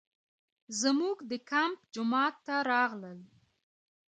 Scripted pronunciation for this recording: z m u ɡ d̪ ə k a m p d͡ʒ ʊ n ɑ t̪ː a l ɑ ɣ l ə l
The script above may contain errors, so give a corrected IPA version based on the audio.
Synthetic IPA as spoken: z m u ɡ d̪ ə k a m p d͡ʒ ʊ m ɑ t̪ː a ɾ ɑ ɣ l ə l